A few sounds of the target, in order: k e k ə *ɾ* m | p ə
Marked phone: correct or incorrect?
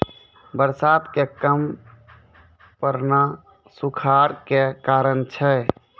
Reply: incorrect